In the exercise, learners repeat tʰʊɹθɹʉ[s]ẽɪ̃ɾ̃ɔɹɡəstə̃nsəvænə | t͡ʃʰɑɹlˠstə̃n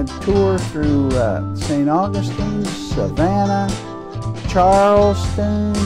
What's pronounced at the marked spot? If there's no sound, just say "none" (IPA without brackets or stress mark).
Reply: s